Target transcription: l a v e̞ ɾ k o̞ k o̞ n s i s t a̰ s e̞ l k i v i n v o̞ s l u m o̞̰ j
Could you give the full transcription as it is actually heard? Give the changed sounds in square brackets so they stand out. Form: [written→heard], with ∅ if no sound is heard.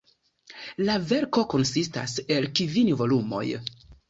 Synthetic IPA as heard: l a v e̞ ɾ k o̞ k o̞ n s i s t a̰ s e̞ l k i v i n v o̞ [s→∅] l u m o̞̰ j